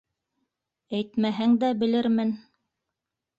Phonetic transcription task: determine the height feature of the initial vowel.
low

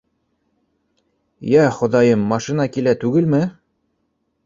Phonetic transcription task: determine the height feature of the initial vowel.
low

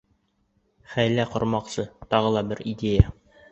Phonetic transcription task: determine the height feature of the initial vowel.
low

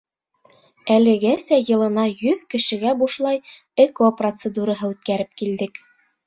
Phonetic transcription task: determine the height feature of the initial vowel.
low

